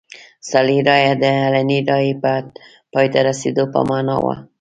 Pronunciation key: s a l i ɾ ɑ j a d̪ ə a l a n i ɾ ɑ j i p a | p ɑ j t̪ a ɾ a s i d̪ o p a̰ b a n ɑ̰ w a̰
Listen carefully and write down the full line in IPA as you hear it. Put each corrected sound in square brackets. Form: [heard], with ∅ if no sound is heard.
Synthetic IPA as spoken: s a l i ɾ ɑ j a d̪ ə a l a n i ɾ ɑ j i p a | p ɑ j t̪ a ɾ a s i d̪ o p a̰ [m] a n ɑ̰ w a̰